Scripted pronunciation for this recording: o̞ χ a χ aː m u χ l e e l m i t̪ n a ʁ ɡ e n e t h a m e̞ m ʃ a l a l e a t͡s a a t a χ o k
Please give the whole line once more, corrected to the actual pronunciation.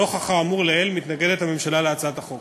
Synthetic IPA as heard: o̞ χ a χ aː m u ʁ l e e l m i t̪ n a ɡ e d e t h a m e̞ m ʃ a l a l e a t͡s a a t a χ o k

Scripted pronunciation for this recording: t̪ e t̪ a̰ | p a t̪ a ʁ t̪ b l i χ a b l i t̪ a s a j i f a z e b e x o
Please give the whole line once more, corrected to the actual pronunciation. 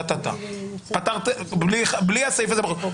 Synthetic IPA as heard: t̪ a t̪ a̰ | p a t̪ a ʁ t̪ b l i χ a b l i a s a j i f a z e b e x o

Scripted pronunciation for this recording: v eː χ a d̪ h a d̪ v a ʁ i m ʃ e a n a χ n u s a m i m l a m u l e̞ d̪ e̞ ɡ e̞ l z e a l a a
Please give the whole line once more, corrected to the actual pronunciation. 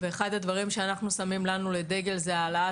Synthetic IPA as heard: v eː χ a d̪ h a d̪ v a ʁ i m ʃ e a n a χ n u s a m i m l a n u l e̞ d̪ e̞ ɡ e̞ l z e a l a a

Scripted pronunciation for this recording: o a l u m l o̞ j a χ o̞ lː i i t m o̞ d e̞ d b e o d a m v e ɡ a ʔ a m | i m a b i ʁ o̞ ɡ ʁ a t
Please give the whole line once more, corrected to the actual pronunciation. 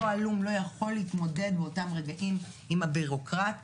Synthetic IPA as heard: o a l u m l o̞ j a χ o̞ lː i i t m o̞ d e̞ d b e o t a m ʁ e ɡ a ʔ i m | i m a b i ʁ o̞ k ʁ a t

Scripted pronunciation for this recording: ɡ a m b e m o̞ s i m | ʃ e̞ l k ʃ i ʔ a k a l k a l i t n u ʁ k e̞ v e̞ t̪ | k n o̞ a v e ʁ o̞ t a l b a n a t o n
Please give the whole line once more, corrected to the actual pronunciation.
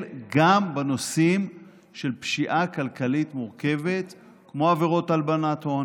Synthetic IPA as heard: ɡ a m b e n o̞ s i m | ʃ e̞ l p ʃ i ʔ a k a l k a l i t m u ʁ k e̞ v e̞ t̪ | k m o̞ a v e ʁ o̞ t a l b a n a t o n

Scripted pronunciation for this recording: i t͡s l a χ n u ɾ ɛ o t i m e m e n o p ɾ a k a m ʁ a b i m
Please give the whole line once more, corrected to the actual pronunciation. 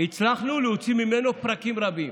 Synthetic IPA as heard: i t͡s l a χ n u l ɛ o t͡s i m i m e n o p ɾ a k i m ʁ a b i m

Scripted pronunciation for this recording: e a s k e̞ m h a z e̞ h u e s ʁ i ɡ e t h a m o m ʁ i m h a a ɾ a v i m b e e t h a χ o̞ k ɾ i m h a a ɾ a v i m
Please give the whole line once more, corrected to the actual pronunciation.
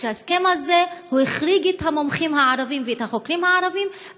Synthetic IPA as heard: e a s k e̞ m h a z e̞ h u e χ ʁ i ɡ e t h a m o m χ i m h a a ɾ a v i m v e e t h a χ o̞ k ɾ i m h a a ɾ a v i m

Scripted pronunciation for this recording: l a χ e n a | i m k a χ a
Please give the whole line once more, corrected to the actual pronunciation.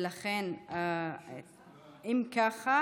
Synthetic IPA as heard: l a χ e n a | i m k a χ a

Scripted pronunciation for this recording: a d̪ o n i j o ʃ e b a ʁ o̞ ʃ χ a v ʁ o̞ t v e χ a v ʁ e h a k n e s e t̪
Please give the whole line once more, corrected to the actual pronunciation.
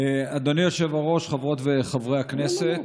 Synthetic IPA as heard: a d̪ o n i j o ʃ e v a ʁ o̞ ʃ χ a v ʁ o̞ t v e χ a v ʁ e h a k n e s e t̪

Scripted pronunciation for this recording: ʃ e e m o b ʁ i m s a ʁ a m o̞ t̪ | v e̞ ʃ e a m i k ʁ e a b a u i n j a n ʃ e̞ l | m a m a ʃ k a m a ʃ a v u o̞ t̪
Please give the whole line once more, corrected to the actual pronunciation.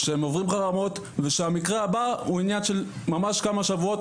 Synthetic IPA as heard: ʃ e e m o v ʁ i m χ a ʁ a m o̞ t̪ | v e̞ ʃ e a m i k ʁ e a b a u i n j a n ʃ e̞ l | m a m a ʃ k a m a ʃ a v u o̞ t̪

